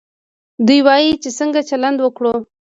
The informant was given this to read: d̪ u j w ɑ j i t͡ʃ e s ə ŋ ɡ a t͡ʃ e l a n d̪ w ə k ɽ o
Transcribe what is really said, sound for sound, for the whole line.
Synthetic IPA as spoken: d̪ u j w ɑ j i t͡ʃ e s ə ŋ ɡ a t͡ʃ a l a n d̪ w ə k ɽ o